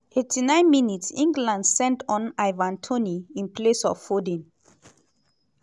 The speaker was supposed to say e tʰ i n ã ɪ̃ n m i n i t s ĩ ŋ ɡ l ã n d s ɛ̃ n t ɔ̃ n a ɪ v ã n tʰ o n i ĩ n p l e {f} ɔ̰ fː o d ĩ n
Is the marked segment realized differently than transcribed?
yes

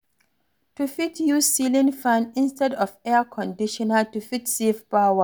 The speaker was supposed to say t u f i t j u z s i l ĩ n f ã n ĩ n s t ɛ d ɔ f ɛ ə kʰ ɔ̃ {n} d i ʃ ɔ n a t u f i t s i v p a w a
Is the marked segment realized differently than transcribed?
no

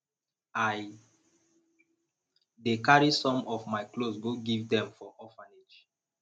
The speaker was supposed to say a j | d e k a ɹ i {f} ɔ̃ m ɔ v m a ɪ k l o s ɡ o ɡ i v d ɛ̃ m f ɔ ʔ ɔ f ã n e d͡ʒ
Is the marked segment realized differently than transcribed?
yes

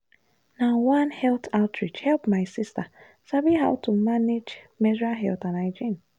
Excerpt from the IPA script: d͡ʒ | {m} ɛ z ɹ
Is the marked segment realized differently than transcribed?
no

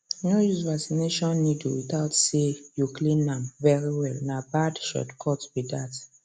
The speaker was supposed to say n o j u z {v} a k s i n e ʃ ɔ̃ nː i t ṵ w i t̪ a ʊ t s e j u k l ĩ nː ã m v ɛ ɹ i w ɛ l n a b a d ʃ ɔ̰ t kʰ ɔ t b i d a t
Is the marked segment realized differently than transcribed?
no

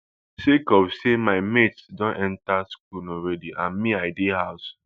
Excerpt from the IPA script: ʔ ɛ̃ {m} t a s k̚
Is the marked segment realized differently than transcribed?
yes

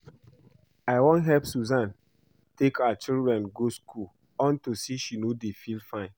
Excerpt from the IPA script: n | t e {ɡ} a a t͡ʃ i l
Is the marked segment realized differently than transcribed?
yes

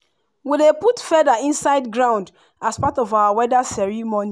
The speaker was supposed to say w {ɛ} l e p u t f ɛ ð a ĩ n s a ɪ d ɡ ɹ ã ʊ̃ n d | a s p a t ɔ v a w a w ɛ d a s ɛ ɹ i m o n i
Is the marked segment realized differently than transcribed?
yes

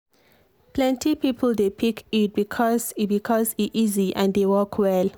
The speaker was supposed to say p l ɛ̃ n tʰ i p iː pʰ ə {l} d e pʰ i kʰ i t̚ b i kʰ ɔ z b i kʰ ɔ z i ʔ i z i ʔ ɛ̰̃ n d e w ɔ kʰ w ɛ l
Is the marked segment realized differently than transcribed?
no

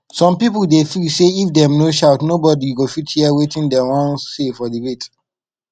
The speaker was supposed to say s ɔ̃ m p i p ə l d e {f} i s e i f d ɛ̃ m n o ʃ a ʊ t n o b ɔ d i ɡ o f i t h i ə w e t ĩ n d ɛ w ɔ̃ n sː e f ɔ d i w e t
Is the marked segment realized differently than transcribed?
no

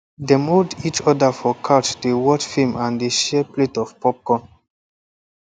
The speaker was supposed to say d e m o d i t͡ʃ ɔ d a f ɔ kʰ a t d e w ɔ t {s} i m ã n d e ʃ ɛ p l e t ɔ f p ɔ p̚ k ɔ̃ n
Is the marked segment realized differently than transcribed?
yes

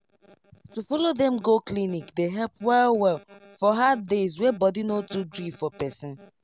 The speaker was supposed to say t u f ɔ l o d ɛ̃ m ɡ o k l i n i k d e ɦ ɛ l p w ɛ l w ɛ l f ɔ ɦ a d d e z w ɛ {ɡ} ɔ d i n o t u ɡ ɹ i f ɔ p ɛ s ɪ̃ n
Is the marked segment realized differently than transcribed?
yes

